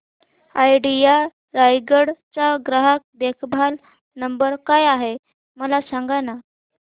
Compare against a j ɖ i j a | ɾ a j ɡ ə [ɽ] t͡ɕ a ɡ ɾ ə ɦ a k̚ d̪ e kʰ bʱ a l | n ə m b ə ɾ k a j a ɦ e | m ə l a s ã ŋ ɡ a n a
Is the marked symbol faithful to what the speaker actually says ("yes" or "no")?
yes